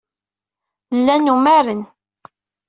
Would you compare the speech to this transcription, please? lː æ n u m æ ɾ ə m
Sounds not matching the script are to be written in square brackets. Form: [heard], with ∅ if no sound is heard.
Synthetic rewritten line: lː æ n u m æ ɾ ə [n]